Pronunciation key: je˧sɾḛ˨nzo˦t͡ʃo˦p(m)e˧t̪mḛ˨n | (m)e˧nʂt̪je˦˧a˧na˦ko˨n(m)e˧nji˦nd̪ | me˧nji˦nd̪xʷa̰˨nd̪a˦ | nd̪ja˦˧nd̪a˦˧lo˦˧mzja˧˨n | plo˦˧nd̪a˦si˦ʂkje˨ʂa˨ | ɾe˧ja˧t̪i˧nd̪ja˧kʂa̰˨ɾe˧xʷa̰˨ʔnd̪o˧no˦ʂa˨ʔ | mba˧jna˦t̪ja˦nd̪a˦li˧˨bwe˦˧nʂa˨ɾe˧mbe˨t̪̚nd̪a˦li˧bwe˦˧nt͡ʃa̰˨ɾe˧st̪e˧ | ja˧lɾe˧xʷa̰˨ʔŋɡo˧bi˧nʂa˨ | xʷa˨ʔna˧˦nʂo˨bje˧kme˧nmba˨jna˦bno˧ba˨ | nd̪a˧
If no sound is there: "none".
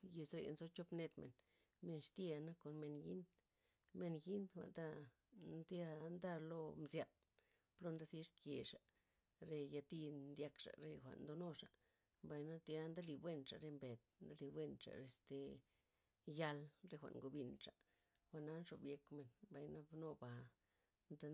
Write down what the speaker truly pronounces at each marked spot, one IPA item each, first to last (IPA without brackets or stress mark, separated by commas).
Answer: n, m, m